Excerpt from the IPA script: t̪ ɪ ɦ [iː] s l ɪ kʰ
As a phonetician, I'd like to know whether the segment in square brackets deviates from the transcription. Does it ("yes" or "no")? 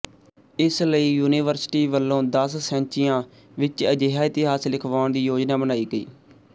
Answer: yes